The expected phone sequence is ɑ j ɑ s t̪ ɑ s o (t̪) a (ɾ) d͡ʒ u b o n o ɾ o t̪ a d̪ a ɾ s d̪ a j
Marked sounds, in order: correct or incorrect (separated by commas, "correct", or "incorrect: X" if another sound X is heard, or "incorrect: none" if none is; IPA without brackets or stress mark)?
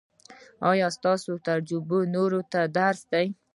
correct, correct